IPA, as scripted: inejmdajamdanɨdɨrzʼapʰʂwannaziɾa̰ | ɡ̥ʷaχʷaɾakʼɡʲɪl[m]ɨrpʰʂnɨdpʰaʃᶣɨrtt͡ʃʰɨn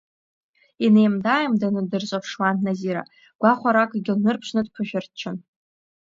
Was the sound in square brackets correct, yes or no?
no